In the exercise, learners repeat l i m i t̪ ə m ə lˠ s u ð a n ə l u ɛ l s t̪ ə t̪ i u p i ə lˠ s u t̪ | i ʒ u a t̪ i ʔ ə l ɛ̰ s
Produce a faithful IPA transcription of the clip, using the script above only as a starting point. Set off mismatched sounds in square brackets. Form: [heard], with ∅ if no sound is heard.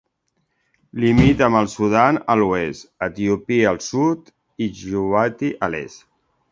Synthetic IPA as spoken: l i m i t̪ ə m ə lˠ s u ð a n ə l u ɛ [∅] s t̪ ə t̪ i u p i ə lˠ s u t̪ | i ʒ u a t̪ i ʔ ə l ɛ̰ s